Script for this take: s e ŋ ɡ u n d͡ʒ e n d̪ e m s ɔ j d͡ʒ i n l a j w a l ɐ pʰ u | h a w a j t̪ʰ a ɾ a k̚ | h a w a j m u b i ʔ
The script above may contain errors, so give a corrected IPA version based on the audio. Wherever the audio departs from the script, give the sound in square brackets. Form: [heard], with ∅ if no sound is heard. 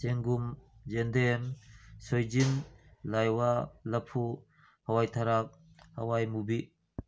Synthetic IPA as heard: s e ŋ ɡ u [m] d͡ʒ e n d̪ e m s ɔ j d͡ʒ i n l a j w a l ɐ pʰ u | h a w a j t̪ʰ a ɾ a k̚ | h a w a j m u b i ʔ